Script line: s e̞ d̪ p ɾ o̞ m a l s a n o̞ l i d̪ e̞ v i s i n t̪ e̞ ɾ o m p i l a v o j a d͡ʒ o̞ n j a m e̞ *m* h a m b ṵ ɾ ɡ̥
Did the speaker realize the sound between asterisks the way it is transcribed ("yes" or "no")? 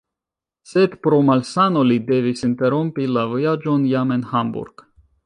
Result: no